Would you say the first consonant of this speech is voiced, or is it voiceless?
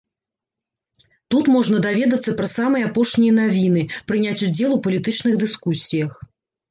voiceless